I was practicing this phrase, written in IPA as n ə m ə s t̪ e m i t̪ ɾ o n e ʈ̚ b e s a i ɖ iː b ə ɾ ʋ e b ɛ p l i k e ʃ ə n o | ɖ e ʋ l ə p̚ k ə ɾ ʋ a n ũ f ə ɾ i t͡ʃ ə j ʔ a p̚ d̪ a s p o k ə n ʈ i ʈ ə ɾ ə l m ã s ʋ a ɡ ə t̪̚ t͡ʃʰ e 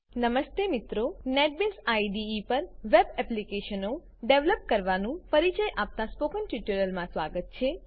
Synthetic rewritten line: n ə m ə s t̪ e m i t̪ ɾ o n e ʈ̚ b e s a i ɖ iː p ə ɾ ʋ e b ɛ p l i k e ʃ ə n o | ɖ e ʋ l ə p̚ k ə ɾ ʋ a n ũ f ə ɾ i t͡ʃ ə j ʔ a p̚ t̪ a s p o k ə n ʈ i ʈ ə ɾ ə l m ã s ʋ a ɡ ə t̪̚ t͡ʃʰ e